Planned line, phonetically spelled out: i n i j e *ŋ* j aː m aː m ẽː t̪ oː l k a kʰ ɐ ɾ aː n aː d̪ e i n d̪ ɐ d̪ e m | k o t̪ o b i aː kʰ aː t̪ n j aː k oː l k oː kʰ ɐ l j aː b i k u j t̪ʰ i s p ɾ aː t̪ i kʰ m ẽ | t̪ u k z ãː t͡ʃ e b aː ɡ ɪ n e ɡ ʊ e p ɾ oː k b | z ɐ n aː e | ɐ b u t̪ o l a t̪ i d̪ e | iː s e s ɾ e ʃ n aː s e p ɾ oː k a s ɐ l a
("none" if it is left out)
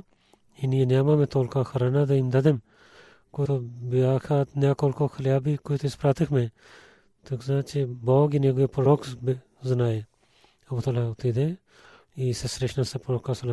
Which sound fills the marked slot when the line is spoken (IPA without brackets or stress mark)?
n